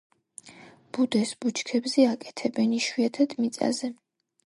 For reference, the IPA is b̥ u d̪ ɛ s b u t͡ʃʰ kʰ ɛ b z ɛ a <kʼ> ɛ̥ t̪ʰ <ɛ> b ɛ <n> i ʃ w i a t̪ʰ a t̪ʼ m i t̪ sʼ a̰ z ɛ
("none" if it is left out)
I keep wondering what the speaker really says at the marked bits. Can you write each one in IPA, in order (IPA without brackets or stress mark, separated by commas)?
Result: kʼ, ɛ, n